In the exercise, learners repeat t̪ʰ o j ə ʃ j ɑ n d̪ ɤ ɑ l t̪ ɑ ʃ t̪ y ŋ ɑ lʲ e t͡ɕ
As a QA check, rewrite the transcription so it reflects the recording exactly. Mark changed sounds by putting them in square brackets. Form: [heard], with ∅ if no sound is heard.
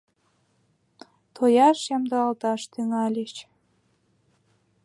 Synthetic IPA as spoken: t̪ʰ o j [ɑ] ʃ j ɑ [m] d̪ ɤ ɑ l t̪ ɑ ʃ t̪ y ŋ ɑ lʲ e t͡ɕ